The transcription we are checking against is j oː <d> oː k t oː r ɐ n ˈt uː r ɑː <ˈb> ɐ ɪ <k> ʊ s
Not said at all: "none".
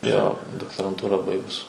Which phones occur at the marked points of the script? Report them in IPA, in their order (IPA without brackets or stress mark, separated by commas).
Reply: d, b, ɡ